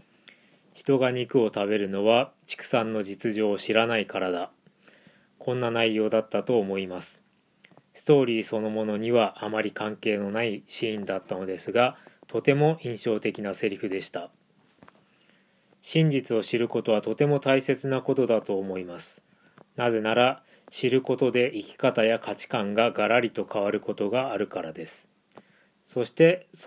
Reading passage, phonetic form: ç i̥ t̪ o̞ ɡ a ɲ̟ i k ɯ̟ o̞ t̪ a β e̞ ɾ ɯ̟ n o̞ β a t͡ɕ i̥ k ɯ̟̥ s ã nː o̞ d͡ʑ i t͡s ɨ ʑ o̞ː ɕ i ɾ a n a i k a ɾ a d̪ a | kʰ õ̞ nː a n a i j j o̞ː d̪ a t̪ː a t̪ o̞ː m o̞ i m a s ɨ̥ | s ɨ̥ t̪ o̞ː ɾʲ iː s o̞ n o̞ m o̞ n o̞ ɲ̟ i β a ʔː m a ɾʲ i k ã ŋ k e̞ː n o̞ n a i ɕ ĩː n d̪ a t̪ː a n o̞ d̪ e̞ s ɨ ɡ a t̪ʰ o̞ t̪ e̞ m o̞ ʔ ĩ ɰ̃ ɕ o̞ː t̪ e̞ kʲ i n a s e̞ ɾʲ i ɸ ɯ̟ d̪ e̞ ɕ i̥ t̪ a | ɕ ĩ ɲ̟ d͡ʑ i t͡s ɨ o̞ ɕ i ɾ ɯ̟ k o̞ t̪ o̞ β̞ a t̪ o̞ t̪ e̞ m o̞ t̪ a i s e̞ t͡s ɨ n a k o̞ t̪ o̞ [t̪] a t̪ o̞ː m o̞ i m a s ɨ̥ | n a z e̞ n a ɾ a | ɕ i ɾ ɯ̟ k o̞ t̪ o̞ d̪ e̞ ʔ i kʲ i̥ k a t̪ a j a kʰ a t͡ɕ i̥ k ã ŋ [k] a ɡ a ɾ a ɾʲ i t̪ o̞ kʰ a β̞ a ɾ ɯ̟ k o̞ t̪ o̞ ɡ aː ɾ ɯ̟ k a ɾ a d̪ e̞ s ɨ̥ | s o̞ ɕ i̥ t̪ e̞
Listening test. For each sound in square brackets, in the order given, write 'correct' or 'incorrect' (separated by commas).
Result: incorrect, incorrect